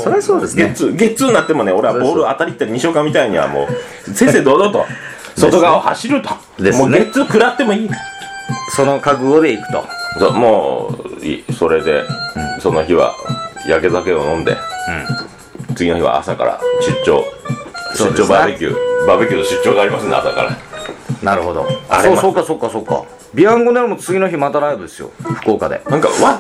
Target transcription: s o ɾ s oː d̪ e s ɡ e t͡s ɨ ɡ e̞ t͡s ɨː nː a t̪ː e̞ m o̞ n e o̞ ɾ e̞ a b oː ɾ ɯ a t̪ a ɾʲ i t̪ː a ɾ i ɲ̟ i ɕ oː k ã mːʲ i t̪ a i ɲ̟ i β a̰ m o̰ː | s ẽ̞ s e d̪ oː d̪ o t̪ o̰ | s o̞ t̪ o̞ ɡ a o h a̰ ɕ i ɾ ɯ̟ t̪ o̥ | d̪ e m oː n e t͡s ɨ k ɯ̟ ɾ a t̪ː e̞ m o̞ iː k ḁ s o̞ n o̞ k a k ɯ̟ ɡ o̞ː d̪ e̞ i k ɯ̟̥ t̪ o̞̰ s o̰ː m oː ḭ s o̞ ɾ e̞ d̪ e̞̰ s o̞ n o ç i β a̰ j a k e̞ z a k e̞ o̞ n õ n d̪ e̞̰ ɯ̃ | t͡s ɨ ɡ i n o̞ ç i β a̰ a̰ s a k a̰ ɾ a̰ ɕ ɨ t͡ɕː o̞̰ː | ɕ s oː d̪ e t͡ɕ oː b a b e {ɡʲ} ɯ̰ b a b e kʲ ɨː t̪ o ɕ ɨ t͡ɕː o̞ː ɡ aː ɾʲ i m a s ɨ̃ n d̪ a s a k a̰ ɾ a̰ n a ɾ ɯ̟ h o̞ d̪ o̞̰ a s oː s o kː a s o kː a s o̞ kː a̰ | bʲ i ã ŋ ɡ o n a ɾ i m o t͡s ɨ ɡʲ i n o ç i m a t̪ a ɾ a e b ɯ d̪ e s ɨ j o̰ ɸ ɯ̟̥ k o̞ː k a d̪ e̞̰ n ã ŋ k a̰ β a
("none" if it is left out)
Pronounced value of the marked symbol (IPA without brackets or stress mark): kʲ